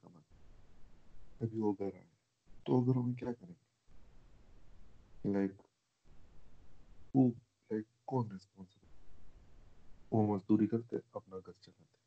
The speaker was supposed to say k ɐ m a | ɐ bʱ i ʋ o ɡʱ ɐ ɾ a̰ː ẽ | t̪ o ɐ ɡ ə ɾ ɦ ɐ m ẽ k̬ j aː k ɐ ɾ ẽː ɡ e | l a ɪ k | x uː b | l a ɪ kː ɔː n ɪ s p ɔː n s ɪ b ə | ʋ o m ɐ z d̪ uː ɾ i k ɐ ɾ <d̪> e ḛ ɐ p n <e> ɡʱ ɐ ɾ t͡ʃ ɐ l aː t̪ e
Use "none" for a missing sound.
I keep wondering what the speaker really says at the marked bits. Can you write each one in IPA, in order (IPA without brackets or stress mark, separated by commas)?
t̪, a